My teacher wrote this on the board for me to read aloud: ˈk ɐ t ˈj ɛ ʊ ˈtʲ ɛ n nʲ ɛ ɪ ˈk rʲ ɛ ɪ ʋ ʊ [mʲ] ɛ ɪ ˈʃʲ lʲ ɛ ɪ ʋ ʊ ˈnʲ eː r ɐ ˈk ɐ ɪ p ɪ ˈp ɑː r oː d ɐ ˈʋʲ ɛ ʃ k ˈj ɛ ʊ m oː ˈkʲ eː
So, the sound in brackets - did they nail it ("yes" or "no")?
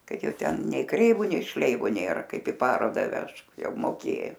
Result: no